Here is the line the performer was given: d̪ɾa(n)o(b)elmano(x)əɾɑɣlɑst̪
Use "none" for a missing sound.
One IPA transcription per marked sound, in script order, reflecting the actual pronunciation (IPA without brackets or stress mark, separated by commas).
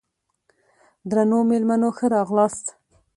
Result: n, m, x